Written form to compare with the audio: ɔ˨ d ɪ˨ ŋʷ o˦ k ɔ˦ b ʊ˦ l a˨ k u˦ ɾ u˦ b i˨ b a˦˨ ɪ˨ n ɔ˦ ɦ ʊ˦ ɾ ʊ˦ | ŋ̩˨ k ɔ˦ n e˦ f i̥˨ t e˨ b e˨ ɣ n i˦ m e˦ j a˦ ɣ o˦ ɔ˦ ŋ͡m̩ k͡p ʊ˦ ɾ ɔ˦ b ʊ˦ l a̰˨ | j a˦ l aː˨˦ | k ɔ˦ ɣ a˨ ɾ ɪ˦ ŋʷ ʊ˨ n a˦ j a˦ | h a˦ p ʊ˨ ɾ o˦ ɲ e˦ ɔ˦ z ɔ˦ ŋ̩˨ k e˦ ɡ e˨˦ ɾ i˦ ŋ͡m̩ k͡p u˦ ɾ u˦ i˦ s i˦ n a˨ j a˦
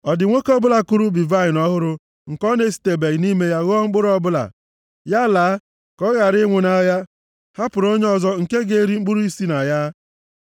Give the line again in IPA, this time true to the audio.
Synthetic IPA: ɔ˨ d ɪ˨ ŋʷ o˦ k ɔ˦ b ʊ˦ l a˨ k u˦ ɾ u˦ b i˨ v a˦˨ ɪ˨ n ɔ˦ ɦ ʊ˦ ɾ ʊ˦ | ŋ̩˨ k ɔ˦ n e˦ s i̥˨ t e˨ b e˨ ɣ n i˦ m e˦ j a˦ ɣ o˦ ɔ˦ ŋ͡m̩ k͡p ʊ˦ ɾ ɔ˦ b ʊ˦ l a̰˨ | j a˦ l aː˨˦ | k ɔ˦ ɣ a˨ ɾ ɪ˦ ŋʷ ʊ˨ n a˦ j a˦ | h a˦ p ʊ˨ ɾ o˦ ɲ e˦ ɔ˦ z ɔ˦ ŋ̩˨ k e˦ ɡ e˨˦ ɾ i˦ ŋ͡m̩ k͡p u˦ ɾ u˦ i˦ s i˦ n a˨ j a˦